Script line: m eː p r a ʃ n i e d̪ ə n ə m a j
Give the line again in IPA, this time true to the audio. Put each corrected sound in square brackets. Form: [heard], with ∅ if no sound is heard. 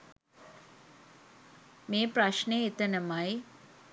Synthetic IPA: m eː p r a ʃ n [e] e [t̪] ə n ə m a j